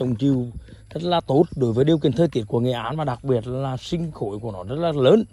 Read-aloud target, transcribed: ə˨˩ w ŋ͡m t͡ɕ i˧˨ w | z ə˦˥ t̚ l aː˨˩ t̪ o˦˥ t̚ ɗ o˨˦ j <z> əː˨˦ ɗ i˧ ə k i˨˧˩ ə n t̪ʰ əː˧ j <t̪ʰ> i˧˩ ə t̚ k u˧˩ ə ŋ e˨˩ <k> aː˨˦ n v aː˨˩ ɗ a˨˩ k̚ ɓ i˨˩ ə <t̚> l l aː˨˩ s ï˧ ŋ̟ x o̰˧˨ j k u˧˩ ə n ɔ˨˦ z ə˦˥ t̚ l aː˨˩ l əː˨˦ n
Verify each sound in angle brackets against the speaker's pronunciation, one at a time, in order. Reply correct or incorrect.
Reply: incorrect, incorrect, incorrect, correct

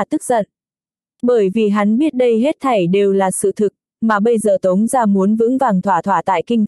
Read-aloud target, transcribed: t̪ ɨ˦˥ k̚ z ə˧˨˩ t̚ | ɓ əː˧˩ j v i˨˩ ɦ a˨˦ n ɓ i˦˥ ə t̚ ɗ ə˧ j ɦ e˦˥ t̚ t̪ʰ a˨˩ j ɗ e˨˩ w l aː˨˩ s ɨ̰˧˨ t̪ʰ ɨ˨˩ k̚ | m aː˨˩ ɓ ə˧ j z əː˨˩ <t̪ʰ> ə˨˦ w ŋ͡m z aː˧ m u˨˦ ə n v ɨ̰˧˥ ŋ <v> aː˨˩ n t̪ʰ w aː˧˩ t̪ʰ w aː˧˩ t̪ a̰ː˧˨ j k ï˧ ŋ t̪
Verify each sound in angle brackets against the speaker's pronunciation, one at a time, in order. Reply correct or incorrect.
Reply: incorrect, correct

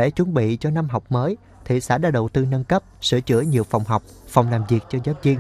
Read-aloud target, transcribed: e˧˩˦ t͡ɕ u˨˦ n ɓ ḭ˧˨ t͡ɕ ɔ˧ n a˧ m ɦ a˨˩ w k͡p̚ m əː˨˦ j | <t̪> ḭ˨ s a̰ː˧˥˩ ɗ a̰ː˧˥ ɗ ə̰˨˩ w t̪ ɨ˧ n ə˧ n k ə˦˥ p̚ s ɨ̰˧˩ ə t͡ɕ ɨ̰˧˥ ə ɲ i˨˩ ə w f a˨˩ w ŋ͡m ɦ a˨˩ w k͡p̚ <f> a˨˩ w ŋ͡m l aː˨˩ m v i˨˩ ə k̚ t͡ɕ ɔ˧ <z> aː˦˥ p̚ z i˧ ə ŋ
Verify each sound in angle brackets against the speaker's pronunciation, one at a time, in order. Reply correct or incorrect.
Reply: incorrect, correct, correct

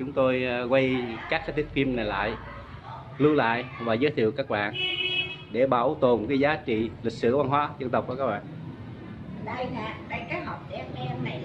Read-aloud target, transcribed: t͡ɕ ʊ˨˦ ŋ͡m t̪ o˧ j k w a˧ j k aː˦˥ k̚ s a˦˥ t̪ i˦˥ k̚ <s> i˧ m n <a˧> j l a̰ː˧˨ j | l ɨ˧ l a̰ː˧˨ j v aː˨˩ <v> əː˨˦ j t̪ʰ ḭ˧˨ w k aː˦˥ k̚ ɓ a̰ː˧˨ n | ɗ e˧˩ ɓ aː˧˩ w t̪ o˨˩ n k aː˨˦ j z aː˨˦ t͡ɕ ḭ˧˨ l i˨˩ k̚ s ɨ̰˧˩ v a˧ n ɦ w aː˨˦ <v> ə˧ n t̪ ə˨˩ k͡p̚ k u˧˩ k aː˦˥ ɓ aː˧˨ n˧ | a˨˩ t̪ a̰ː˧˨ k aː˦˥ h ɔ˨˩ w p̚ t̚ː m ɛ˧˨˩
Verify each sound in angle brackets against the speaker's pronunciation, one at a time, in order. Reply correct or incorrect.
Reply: incorrect, incorrect, incorrect, incorrect

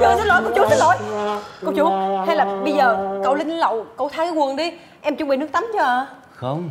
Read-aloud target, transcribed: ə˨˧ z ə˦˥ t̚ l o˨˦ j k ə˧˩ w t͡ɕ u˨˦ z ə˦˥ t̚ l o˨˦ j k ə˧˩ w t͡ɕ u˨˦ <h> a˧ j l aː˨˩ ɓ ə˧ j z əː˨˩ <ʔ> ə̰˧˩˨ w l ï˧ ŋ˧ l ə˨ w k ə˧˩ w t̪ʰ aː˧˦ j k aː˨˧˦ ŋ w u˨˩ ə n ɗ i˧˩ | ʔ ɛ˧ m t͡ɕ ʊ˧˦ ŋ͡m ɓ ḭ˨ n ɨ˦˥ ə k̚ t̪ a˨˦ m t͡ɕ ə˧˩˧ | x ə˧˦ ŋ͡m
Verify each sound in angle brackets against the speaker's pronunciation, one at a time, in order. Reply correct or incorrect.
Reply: correct, incorrect

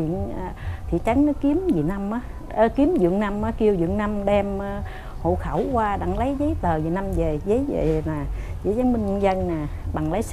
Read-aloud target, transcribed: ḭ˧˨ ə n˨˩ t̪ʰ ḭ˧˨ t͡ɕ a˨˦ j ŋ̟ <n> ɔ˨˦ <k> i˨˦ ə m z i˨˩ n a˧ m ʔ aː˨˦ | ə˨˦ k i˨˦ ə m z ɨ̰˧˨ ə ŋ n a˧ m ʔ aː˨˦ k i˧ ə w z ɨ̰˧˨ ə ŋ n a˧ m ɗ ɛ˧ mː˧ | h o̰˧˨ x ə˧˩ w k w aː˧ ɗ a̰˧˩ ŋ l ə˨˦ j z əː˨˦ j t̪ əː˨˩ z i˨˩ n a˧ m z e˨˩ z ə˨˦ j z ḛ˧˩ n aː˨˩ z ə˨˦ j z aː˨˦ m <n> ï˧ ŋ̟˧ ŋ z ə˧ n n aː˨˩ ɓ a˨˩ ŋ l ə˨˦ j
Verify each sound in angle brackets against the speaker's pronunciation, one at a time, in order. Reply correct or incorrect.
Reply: correct, correct, incorrect

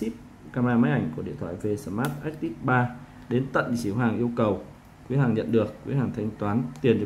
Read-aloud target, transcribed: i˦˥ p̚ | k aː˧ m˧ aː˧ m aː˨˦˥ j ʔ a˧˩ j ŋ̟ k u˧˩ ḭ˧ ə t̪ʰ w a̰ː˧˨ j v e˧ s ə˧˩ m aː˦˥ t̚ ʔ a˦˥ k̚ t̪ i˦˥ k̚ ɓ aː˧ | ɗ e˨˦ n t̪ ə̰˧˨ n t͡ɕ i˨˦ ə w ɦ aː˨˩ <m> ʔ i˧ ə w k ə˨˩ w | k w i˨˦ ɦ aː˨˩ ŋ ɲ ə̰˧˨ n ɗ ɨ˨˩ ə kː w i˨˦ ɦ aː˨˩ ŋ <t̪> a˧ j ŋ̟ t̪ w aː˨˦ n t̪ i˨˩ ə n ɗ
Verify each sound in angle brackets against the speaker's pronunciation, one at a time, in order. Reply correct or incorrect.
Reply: incorrect, incorrect

